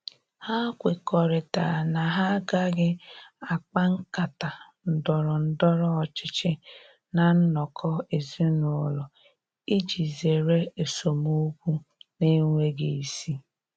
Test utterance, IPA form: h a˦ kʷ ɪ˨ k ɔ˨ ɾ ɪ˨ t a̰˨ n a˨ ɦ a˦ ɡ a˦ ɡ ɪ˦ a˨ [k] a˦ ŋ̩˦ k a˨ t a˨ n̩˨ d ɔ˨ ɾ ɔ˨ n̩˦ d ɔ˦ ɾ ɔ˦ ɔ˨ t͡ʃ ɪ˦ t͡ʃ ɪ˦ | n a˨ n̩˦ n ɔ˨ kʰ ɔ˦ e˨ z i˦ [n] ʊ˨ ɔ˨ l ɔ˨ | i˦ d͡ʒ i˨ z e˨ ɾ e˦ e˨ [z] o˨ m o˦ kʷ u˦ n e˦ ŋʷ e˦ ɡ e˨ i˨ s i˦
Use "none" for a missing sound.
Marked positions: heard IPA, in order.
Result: k͡p, n, s

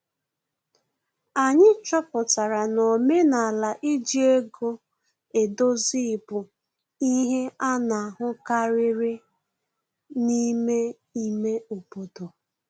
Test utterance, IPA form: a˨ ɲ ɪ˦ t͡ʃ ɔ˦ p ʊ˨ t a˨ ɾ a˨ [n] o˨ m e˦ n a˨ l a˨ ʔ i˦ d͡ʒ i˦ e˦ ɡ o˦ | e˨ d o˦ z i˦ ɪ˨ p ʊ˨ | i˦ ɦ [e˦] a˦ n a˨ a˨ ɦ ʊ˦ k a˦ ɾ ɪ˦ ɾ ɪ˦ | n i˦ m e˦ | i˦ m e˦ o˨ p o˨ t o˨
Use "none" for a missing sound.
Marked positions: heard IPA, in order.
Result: n, e˦

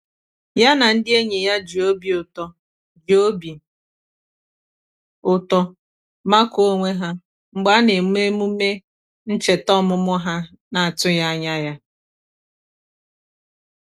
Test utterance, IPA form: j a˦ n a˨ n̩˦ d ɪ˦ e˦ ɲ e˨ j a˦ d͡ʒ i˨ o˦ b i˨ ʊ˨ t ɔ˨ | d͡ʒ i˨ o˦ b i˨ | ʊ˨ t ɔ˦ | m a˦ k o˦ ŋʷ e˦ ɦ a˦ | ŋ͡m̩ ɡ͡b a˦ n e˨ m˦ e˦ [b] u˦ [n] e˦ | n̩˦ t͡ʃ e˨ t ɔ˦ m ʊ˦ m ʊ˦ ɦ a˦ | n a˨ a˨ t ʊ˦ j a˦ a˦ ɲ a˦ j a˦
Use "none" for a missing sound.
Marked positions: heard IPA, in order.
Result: m, m

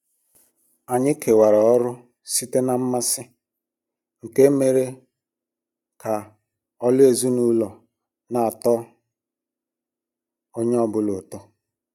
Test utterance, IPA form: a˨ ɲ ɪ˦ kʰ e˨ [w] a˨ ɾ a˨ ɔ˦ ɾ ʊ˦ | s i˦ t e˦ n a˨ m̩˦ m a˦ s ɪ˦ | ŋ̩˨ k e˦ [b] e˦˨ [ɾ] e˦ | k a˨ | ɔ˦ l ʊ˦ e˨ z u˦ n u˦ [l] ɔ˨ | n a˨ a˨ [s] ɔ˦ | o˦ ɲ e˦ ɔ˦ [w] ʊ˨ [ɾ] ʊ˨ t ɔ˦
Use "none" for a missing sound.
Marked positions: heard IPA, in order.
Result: w, m, ɾ, l, t, b, l

